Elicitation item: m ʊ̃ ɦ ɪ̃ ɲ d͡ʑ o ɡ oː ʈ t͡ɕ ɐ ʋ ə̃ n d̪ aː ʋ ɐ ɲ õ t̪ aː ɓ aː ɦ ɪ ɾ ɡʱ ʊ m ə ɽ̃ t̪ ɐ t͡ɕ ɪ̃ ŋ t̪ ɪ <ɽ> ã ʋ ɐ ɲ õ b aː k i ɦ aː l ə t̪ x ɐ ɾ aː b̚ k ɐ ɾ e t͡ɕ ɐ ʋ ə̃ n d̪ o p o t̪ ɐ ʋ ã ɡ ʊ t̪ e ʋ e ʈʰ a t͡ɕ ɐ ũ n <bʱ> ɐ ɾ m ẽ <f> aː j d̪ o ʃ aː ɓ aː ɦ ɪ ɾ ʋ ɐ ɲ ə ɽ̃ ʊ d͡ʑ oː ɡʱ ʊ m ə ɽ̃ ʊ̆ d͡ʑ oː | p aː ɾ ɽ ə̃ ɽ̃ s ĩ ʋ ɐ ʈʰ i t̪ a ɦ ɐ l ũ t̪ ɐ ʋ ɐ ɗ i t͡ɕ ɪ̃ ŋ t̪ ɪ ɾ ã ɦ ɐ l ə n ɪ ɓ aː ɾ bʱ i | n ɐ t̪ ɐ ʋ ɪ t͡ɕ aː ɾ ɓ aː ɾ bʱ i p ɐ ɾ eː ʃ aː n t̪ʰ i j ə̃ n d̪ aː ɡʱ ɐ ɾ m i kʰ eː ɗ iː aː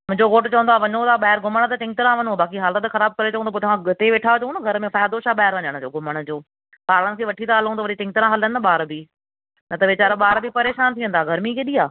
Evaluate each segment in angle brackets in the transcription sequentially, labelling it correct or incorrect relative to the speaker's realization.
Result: incorrect: ɾ, incorrect: ɡʱ, correct

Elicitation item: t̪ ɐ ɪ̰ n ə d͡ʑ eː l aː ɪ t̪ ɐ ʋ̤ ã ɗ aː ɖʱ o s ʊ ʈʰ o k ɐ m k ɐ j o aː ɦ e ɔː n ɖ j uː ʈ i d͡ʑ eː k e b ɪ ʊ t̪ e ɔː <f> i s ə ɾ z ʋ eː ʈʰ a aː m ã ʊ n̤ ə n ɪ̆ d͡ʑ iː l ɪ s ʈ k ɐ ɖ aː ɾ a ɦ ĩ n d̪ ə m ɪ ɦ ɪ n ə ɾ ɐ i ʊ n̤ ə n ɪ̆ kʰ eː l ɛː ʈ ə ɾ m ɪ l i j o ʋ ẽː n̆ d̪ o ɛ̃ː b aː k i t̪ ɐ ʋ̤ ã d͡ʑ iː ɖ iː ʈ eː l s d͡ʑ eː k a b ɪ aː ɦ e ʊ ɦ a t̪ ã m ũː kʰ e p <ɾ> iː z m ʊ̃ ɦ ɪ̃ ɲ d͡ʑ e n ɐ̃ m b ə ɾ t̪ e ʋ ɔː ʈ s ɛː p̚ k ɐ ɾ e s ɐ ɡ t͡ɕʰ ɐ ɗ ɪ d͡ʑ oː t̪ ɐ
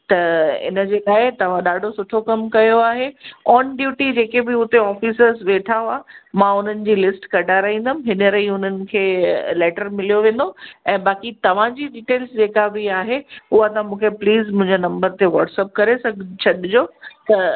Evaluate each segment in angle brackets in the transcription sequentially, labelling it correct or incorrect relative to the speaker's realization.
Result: correct, incorrect: l

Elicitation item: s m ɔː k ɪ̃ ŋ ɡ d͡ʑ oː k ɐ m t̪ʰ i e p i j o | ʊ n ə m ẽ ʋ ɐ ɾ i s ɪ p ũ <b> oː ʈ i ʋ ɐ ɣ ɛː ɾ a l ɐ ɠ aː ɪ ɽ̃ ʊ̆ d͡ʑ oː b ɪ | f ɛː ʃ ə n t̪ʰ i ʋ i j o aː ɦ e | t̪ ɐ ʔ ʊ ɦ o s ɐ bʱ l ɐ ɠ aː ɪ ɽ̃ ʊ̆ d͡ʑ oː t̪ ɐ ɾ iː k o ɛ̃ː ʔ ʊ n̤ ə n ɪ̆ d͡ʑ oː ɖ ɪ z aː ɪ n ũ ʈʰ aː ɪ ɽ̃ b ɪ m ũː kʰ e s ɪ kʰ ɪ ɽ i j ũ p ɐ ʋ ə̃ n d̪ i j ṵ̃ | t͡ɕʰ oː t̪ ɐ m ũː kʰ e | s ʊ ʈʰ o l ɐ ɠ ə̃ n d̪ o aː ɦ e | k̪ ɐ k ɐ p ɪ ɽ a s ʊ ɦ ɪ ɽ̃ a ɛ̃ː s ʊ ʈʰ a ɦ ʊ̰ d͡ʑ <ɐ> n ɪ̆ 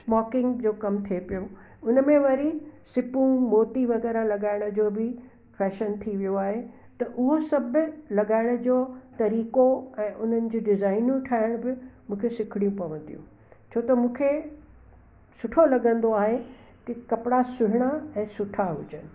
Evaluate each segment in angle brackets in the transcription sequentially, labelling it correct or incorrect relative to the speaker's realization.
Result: incorrect: m, incorrect: ə

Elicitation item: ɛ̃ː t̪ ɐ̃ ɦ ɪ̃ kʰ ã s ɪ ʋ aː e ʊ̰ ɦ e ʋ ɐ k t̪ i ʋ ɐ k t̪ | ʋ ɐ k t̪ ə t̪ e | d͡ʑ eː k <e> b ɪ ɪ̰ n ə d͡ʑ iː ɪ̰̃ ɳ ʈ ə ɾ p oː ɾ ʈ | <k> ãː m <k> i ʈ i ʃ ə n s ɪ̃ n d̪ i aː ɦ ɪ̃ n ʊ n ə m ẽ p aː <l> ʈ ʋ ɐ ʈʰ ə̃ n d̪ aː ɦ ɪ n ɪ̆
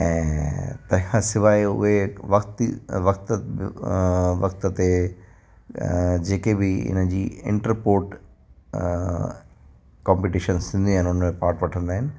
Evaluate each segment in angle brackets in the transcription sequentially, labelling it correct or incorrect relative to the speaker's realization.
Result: correct, correct, incorrect: p, incorrect: ɾ

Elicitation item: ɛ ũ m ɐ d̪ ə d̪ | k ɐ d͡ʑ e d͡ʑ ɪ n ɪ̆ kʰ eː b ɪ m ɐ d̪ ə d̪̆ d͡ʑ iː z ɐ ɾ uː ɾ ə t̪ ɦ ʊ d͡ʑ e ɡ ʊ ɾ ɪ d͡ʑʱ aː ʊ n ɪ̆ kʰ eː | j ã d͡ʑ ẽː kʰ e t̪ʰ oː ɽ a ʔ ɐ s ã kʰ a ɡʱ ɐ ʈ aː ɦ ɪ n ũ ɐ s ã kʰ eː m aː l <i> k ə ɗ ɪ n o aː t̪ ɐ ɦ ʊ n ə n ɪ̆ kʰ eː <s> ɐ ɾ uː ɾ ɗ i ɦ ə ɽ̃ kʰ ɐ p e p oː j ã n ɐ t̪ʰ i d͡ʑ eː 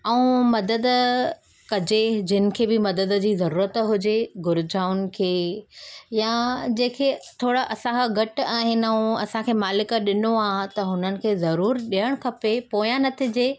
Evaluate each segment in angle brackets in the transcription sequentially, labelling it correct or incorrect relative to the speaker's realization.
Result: incorrect: ɪ, incorrect: z

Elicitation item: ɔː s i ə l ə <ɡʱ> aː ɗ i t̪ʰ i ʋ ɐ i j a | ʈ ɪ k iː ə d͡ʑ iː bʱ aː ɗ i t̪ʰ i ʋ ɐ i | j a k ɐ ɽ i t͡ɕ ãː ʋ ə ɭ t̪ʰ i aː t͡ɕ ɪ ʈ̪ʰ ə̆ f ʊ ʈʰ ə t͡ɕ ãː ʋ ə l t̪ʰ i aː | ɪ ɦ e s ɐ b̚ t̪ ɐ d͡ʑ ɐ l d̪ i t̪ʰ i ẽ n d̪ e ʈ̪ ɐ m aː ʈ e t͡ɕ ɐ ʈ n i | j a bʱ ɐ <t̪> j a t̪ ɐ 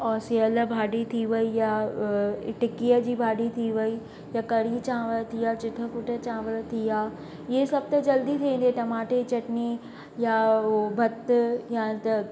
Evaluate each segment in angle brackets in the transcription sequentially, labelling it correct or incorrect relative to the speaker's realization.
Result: incorrect: bʱ, correct

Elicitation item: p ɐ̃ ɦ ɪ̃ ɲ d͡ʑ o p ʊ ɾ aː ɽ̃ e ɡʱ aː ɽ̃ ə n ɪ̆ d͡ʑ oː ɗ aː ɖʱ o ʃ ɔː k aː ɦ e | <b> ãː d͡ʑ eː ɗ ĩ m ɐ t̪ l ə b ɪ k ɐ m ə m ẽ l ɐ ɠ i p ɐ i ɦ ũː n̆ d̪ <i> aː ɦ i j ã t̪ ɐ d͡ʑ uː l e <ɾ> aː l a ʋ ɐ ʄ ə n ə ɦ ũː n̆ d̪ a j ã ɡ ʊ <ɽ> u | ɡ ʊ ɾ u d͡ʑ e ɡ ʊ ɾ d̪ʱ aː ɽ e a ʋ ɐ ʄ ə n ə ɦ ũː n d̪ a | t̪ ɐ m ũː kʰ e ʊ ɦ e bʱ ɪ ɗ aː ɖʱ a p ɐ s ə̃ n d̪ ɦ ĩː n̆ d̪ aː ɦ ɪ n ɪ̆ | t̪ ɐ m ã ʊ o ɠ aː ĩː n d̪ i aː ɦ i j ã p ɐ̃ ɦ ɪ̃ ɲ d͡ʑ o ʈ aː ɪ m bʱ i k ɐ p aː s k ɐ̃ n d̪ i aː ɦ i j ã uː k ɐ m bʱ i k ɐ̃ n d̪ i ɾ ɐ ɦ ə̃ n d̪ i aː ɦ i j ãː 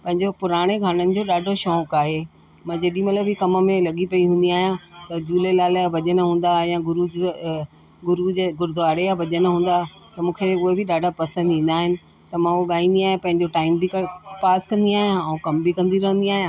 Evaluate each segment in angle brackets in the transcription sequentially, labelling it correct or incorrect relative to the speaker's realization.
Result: incorrect: m, correct, incorrect: l, incorrect: ɾ

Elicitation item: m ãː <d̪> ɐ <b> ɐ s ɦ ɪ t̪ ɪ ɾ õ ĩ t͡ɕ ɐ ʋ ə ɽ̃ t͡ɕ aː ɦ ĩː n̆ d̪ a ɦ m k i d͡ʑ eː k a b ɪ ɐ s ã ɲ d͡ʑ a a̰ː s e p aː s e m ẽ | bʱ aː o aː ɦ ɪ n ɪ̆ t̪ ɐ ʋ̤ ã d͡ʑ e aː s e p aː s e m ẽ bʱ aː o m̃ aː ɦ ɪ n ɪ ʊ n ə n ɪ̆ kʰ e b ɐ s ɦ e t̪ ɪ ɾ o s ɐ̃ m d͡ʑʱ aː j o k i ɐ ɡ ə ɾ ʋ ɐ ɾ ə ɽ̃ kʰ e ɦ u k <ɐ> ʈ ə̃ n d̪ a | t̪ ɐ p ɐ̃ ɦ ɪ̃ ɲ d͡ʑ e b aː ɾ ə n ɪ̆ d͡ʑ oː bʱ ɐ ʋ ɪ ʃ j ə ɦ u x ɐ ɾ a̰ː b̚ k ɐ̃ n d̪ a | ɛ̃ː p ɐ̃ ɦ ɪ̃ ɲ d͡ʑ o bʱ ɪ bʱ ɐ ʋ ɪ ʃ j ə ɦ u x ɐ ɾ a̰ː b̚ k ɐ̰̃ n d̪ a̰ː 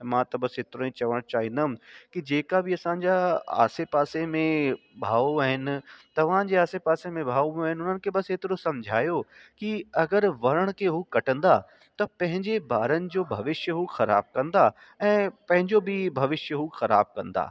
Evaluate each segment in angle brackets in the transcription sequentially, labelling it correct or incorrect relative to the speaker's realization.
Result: incorrect: t̪, correct, correct

